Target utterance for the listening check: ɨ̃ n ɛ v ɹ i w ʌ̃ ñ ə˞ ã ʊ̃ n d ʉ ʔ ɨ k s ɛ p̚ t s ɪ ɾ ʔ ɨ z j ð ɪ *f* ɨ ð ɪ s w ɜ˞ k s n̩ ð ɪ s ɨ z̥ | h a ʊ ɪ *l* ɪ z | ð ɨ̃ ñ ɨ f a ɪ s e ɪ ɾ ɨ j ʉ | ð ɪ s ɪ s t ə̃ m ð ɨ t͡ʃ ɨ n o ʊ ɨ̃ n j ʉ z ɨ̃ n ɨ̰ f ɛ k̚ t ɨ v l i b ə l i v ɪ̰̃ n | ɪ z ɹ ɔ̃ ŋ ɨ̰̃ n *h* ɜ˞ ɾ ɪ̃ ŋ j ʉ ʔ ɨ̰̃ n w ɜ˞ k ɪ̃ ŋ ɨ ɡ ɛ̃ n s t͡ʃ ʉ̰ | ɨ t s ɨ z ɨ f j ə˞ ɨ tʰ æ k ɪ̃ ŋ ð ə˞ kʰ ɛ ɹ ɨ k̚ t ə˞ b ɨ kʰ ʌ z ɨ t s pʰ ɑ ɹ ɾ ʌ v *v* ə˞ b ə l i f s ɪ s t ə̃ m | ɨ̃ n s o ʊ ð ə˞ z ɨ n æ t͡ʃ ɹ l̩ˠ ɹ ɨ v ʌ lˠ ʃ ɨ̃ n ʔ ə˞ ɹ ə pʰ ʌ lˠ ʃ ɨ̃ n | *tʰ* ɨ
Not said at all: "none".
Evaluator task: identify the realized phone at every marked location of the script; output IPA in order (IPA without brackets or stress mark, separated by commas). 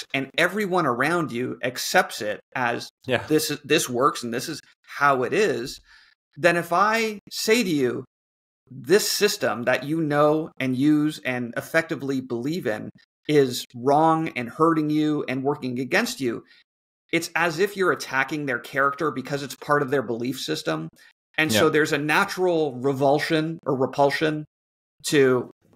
s, ɾ, h, ð, tʰ